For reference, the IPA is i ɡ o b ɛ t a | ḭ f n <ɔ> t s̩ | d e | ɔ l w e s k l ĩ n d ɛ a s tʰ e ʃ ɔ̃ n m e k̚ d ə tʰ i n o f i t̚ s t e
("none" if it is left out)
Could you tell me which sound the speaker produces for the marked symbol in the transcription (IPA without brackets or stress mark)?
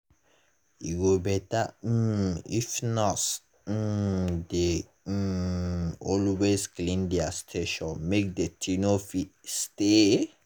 ɔ